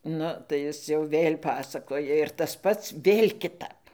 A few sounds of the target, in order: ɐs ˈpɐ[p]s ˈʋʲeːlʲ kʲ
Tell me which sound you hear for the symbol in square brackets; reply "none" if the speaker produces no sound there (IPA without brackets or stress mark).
t